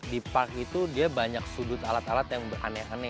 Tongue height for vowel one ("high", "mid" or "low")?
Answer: high